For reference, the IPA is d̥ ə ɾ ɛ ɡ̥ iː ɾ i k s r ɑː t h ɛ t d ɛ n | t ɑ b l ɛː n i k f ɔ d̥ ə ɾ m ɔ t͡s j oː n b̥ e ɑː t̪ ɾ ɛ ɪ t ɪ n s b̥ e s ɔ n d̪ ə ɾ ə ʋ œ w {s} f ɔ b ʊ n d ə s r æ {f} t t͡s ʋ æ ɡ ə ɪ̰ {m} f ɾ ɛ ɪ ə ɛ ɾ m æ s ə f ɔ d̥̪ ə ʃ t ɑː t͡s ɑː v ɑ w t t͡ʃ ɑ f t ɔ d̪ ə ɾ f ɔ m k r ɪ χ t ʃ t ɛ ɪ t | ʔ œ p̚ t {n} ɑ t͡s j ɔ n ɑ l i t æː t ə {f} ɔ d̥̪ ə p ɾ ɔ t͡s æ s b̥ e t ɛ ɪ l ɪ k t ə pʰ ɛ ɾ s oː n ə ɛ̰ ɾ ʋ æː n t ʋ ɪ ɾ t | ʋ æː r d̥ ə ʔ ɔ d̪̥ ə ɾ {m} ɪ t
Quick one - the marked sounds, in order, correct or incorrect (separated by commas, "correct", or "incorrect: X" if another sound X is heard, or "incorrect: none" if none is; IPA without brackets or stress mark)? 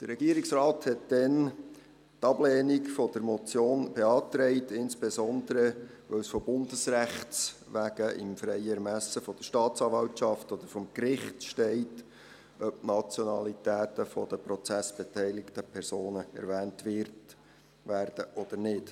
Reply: correct, incorrect: χ, correct, correct, correct, incorrect: n